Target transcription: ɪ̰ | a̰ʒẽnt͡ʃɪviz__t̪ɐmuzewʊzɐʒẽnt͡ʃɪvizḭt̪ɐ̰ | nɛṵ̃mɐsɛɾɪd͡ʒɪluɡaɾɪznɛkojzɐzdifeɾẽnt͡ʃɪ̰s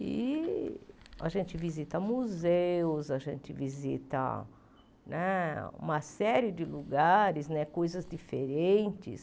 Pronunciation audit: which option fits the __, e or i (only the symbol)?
i